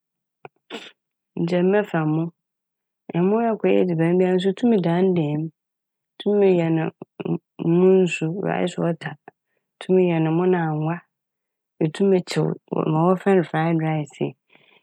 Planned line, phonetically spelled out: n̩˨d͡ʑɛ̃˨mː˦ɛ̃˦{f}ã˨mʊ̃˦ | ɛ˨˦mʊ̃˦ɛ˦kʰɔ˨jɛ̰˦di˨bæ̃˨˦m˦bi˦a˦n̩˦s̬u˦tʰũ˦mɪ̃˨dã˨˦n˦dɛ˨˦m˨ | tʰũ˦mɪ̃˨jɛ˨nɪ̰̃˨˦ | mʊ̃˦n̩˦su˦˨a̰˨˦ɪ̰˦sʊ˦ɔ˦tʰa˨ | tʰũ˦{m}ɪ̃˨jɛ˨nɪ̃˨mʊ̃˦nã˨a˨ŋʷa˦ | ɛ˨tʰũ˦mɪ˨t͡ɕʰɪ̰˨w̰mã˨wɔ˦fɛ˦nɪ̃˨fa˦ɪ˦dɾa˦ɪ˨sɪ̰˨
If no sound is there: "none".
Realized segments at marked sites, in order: f, m

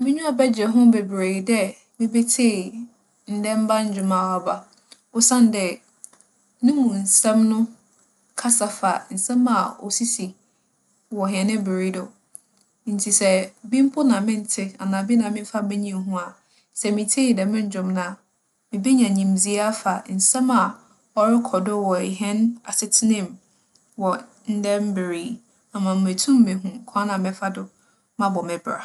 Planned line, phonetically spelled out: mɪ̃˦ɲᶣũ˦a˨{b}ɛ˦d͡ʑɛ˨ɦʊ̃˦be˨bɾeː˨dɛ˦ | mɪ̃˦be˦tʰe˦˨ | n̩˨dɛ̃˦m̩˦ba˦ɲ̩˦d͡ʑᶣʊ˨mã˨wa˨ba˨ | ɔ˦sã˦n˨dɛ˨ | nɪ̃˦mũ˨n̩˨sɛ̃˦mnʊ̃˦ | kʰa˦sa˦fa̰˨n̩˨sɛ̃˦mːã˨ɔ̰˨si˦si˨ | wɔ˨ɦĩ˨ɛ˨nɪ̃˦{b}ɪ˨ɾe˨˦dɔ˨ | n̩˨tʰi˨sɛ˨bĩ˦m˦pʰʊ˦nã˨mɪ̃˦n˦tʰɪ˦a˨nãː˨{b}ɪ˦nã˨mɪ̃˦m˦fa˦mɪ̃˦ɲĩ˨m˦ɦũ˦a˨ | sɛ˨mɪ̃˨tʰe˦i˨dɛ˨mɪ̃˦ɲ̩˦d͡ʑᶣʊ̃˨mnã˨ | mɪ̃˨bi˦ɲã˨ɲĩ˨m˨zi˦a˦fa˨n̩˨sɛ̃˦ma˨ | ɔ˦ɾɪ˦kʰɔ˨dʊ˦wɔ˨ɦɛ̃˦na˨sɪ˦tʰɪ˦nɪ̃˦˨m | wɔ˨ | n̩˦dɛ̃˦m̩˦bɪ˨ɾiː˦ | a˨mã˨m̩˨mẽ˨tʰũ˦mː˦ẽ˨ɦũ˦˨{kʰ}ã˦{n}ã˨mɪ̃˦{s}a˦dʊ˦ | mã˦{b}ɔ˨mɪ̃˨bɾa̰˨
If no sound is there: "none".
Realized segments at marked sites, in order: b, b, b, kʰ, n, f, b

